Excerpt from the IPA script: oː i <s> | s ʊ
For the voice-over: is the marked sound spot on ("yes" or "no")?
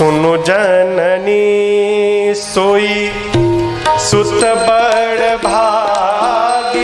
no